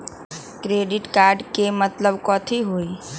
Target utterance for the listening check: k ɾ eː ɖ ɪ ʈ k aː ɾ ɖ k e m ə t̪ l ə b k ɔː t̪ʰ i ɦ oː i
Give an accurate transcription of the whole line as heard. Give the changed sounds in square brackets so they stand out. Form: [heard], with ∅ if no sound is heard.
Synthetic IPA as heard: k ɾ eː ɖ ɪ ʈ k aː ɾ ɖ k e m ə t̪ l ə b k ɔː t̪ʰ i ɦ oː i